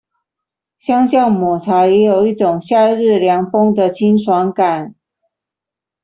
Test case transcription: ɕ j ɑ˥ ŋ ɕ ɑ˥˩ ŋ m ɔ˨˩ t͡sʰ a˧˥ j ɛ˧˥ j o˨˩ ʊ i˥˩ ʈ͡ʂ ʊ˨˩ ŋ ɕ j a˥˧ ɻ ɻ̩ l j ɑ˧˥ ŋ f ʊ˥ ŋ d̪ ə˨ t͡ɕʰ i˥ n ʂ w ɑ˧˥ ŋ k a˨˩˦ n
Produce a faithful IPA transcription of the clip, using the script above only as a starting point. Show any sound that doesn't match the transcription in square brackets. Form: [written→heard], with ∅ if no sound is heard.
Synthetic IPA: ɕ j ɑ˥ ŋ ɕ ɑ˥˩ ŋ m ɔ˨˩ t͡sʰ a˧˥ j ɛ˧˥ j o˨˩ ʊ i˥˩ ʈ͡ʂ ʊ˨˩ ŋ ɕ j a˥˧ ɻ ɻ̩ l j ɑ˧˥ ŋ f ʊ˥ ŋ d̪ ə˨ t͡ɕʰ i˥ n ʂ w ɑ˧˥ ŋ k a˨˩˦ n